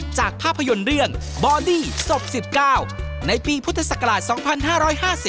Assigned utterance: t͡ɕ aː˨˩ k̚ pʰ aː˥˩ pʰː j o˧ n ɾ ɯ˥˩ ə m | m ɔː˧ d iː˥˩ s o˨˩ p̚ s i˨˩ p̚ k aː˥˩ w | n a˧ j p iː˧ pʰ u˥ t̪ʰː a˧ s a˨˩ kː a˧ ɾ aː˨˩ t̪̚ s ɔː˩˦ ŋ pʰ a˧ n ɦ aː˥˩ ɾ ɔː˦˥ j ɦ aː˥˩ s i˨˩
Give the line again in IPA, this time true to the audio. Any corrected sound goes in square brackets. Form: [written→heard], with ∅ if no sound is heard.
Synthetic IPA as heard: t͡ɕ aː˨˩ k̚ pʰ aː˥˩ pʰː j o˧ n ɾ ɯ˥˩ ə [m→ŋ] | [m→b] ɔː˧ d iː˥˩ s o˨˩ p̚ s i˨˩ p̚ k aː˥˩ w | n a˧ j p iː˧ pʰ u˥ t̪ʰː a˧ s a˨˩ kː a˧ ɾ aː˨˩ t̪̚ s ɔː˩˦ ŋ pʰ a˧ n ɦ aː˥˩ ɾ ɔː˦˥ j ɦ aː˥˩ s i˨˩